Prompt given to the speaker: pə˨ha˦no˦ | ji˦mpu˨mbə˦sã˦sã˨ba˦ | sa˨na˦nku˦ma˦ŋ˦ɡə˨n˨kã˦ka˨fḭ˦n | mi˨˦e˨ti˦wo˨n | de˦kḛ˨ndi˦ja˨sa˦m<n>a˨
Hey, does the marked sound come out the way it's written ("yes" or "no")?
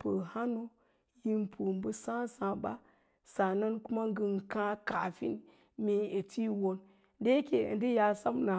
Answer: yes